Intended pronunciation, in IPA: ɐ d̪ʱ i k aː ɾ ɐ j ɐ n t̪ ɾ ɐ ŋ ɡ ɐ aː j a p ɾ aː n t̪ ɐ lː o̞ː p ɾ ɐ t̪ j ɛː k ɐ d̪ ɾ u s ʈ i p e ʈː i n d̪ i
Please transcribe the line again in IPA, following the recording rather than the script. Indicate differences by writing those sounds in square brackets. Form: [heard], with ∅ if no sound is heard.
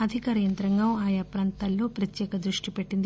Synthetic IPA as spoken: ɐ d̪ʱ i k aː ɾ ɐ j ɐ n t̪ ɾ ɐ ŋ ɡ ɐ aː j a p ɾ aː n t̪ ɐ lː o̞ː p ɾ ɐ t̪ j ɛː k ɐ d̪ ɾ u [ʂ] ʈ i p e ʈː i n d̪ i